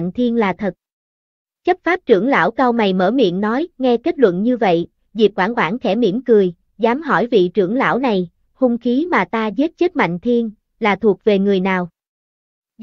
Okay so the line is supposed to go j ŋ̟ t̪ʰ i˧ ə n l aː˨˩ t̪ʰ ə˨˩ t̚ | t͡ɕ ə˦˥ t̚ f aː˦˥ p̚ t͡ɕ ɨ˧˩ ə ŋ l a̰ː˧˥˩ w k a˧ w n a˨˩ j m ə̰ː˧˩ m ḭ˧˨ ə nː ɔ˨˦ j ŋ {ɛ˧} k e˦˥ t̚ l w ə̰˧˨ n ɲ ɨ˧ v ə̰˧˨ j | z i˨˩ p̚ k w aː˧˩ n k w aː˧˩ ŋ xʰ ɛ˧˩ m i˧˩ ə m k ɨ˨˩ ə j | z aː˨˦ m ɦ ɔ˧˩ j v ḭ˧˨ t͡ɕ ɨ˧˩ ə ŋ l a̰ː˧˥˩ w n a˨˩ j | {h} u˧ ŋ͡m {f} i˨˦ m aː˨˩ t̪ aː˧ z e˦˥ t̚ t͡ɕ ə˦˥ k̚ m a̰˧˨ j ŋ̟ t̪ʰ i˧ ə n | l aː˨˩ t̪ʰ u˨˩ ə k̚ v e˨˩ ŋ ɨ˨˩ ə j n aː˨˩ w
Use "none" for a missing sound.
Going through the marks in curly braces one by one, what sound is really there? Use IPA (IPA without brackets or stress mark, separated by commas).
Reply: ɛ˧, h, x